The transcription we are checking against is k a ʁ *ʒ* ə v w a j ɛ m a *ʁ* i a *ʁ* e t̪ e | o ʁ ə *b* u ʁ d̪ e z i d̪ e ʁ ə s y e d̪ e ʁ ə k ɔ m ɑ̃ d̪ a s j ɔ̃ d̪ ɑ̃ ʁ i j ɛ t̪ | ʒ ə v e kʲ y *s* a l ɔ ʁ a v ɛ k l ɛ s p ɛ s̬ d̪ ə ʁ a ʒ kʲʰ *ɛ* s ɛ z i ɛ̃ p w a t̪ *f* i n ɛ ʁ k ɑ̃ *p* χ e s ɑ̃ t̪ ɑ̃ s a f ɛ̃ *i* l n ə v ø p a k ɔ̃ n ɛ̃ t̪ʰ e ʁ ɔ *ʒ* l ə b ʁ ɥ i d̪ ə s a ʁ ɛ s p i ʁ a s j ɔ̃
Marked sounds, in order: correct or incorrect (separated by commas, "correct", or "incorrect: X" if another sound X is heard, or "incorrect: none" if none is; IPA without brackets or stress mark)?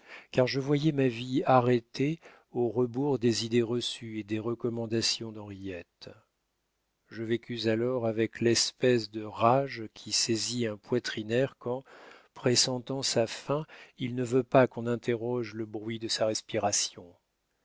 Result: correct, incorrect: v, correct, correct, incorrect: z, incorrect: i, incorrect: χ, correct, correct, correct